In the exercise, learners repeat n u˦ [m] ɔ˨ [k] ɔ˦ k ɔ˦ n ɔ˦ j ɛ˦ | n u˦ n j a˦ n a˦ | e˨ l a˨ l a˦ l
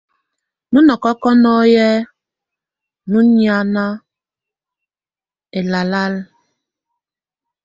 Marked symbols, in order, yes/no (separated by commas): no, yes